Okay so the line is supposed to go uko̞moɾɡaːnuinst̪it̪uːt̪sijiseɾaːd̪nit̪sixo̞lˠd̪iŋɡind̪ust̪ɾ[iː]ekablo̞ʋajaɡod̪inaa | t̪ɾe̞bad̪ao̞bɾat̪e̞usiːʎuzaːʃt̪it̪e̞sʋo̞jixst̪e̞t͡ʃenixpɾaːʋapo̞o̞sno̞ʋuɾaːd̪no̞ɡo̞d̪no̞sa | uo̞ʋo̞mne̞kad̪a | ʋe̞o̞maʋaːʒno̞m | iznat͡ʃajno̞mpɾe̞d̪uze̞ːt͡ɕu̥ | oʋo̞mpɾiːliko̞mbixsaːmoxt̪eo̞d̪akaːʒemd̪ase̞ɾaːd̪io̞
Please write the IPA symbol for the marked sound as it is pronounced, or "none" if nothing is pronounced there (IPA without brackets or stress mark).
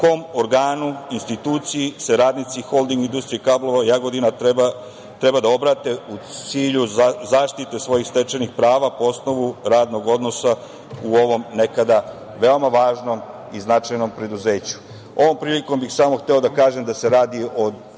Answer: i